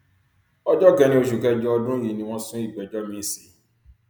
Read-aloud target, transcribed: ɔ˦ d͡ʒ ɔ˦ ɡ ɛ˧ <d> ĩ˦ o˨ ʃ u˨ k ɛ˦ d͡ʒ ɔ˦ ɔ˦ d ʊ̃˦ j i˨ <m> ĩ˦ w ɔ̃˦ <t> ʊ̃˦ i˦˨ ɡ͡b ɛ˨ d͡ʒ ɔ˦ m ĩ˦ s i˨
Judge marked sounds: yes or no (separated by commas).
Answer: no, no, no